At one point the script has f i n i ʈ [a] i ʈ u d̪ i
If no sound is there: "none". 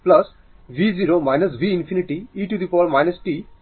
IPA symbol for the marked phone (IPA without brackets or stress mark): i